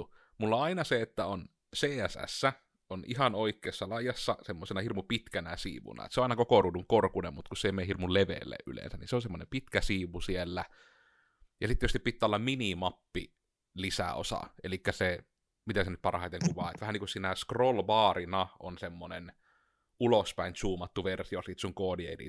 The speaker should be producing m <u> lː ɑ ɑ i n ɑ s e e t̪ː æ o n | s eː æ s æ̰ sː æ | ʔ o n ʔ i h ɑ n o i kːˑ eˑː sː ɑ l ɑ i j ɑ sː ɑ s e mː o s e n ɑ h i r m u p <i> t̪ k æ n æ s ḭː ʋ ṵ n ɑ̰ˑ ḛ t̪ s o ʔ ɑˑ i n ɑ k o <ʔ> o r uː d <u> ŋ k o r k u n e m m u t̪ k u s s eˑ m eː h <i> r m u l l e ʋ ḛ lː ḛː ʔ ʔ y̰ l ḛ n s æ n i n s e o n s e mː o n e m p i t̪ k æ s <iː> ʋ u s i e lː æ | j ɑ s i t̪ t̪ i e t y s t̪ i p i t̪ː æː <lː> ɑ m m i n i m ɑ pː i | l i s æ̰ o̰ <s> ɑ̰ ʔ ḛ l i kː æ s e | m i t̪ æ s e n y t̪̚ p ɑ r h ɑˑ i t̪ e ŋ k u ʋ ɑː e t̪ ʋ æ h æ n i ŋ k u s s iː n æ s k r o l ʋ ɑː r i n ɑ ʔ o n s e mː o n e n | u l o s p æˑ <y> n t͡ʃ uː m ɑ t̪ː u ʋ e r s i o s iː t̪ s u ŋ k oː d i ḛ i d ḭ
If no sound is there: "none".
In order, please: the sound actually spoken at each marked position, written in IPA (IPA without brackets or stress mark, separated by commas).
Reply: u, i, k, u, i, iː, lː, s, i